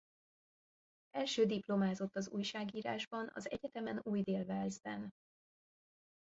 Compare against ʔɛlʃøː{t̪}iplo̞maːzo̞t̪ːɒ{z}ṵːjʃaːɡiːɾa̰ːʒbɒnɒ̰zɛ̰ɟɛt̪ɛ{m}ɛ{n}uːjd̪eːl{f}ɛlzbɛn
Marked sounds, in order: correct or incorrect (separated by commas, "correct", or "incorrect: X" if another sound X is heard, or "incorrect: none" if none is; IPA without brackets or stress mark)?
incorrect: d̪, correct, correct, correct, incorrect: v